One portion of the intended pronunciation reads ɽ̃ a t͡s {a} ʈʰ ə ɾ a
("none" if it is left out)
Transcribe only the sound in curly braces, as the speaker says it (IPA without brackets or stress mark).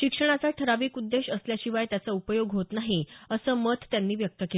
a